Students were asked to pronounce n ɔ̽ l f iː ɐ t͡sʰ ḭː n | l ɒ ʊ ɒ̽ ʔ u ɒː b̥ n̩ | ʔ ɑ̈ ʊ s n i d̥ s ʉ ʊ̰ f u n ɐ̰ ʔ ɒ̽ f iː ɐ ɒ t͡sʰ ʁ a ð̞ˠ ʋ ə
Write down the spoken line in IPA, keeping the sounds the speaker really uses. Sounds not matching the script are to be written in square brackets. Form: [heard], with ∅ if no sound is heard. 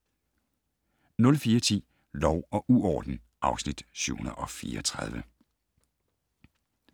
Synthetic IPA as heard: n ɔ̽ l f iː ɐ t͡sʰ ḭː [∅] | l ɒ ʊ ɒ̽ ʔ u ɒː [d̥] n̩ | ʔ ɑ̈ ʊ s n i d̥ s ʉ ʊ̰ [h] u n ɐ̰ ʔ ɒ̽ f iː ɐ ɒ t͡sʰ ʁ a ð̞ˠ ʋ ə